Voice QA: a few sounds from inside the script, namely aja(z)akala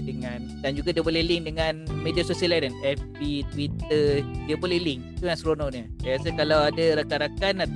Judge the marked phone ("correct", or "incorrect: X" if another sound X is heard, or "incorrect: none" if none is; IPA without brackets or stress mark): incorrect: s